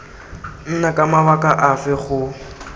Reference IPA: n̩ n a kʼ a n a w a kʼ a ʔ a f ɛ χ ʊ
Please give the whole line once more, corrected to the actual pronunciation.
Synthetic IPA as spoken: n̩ n a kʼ a m a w a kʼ a ʔ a f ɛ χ ʊ